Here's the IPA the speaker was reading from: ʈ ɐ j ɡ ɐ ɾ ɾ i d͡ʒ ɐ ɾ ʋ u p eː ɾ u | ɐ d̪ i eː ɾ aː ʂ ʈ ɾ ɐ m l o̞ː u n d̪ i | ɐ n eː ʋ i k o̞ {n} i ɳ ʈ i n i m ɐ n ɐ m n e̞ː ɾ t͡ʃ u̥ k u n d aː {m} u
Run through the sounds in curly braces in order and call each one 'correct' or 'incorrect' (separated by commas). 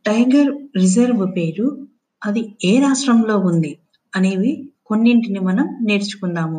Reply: incorrect, correct